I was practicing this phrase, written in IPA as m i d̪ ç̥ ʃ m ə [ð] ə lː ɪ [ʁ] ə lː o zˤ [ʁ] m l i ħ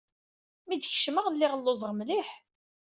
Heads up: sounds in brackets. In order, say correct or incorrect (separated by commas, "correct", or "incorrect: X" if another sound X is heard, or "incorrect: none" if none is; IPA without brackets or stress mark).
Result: incorrect: ʁ, correct, correct